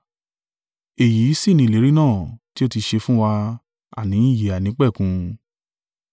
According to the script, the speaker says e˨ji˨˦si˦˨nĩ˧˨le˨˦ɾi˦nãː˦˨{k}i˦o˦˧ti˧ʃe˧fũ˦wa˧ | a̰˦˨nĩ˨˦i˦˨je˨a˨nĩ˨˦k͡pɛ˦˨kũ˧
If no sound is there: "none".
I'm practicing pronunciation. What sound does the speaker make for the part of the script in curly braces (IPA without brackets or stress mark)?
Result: t